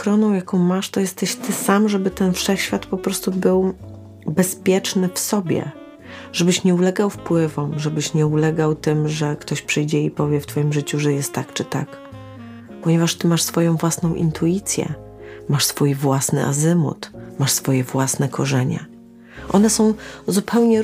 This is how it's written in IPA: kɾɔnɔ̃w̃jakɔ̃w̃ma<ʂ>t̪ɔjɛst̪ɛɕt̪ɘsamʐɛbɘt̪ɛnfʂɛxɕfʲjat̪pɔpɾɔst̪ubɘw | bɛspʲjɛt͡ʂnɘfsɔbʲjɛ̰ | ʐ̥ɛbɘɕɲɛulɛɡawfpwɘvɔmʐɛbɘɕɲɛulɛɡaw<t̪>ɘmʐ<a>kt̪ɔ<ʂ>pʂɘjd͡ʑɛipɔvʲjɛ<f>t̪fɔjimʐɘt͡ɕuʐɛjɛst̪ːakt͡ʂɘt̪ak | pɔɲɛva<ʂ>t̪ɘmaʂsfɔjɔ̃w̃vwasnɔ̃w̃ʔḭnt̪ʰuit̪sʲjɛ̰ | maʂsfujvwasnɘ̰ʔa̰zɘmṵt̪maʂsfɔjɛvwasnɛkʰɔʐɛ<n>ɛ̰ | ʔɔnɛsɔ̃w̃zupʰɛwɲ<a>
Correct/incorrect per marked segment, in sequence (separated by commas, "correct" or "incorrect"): correct, correct, incorrect, incorrect, correct, correct, incorrect, incorrect